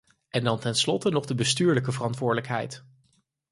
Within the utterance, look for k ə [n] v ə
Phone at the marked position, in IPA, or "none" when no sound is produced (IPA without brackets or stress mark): none